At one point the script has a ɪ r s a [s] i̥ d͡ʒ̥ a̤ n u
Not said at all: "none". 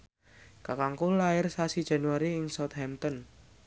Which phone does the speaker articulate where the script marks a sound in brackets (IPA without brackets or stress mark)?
s